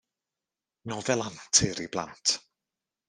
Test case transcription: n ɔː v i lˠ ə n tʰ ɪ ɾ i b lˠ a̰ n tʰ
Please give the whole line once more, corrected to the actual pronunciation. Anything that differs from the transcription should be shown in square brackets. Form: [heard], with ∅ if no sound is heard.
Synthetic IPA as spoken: n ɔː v [ɛ] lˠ [a] n tʰ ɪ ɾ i b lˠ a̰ n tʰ